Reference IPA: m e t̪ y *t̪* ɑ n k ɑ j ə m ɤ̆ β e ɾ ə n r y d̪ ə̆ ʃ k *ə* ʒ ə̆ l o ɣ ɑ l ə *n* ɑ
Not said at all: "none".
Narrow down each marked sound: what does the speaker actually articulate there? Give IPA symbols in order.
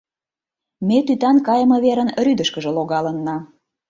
t̪, ə, nː

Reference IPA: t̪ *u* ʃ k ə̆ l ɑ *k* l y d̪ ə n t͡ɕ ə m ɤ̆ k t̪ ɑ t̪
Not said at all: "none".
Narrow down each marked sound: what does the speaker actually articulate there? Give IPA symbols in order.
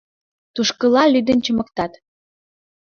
u, none

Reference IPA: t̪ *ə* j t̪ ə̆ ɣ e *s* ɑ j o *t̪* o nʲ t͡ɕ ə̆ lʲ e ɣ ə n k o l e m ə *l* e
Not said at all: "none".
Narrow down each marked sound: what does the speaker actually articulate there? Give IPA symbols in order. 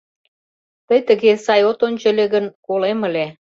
ə, s, t̪, l

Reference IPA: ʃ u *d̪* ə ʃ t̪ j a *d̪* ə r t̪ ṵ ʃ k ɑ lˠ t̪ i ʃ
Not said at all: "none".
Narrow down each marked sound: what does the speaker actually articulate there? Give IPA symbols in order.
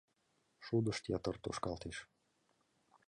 d̪, t̪

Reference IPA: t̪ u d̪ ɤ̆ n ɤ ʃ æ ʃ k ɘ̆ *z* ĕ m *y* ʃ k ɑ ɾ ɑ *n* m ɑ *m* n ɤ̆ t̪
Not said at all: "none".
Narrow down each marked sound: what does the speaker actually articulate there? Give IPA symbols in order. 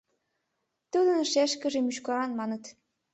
ʒ, y, n, none

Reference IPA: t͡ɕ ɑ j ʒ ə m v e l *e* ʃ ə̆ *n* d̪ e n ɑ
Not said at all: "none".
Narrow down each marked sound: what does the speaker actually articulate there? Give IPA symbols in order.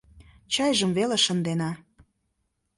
e, n

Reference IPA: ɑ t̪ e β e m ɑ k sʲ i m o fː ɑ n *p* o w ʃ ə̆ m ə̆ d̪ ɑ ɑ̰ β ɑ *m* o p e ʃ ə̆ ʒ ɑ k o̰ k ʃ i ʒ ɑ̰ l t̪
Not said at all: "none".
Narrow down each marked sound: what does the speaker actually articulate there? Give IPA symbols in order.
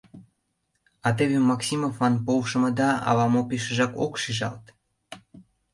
p, m

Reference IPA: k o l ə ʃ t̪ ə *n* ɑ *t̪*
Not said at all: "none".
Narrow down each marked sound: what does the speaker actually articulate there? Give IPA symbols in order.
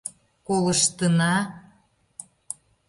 n, none

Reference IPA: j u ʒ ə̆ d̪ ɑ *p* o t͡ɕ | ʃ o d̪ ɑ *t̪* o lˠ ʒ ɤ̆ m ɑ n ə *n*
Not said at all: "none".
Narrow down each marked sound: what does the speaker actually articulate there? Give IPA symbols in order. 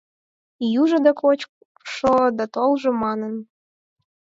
k, t̪, n

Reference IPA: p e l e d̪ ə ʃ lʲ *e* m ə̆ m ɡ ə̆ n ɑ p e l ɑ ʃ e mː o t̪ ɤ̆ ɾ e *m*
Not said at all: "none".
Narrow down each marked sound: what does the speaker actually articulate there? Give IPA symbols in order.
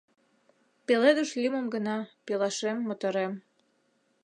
i, m

